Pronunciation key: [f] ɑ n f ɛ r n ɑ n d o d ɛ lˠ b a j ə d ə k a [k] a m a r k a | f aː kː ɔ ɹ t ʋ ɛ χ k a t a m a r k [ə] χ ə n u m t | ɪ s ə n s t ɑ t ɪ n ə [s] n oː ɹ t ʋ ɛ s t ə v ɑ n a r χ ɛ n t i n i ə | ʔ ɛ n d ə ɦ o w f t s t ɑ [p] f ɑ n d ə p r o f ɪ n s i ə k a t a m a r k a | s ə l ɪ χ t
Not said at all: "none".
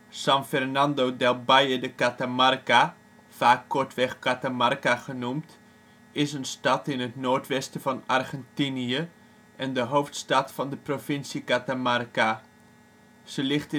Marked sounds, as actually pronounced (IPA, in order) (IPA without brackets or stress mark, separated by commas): s, t, a, t, t